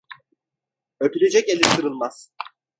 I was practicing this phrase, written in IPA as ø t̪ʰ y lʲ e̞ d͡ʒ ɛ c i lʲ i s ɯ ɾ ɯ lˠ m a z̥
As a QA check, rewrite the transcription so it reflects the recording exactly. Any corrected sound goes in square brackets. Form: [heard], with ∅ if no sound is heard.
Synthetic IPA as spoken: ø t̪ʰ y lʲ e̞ d͡ʒ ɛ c [e] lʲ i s ɯ ɾ ɯ lˠ m a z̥